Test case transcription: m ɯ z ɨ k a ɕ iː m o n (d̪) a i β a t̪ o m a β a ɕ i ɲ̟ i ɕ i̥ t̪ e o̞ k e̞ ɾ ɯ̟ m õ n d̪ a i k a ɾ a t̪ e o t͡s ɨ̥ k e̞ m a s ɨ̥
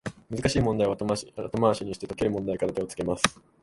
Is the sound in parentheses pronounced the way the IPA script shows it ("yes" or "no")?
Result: yes